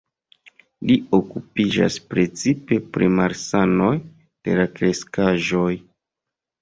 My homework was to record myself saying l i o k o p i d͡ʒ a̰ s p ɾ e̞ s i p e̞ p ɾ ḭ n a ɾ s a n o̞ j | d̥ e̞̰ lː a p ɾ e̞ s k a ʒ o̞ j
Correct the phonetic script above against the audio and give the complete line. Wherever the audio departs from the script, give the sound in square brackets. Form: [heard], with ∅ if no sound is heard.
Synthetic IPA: l i o k [u] p i d͡ʒ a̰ s p ɾ e̞ [t͡s] i p e̞ p ɾ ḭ [m] a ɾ s a n o̞ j | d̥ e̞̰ [l] a [k] ɾ e̞ s k a ʒ o̞ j